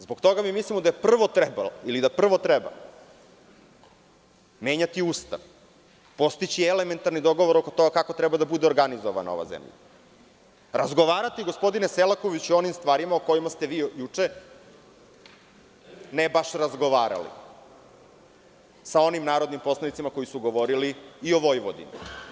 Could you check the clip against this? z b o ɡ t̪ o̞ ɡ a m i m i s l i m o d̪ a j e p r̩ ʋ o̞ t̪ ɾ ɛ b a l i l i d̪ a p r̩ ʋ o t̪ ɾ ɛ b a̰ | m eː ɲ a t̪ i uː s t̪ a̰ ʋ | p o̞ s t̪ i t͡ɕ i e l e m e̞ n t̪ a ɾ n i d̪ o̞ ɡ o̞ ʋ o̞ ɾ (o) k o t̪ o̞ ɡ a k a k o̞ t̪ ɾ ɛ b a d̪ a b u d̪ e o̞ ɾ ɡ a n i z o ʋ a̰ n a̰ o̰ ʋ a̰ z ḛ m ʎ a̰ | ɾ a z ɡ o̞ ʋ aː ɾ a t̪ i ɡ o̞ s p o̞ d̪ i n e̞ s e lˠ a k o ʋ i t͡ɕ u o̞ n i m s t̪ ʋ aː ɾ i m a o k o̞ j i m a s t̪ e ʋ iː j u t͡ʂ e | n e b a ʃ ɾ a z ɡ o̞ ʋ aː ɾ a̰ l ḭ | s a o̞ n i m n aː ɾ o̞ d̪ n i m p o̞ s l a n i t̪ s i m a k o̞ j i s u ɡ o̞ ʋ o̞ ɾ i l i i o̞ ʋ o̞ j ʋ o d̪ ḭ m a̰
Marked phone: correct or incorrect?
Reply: correct